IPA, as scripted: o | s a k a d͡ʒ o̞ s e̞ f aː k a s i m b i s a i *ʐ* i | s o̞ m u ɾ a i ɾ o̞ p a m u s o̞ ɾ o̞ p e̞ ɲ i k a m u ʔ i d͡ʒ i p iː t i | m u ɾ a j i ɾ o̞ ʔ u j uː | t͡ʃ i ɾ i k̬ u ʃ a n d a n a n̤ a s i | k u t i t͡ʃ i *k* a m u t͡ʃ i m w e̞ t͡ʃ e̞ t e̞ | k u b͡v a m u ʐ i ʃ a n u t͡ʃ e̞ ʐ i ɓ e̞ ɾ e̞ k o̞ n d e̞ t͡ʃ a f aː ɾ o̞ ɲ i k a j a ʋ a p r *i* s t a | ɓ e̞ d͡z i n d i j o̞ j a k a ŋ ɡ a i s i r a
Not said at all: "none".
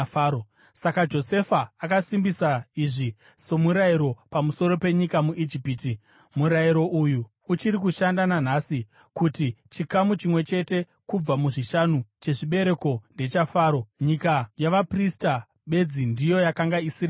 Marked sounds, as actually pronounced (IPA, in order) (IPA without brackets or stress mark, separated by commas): ʐ, k, i